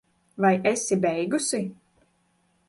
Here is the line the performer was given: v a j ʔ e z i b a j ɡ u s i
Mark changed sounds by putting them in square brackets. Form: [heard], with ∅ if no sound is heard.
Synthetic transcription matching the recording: v a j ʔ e [s] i b [ɛ] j ɡ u s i